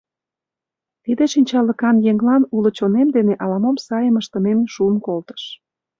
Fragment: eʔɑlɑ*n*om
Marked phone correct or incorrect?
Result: incorrect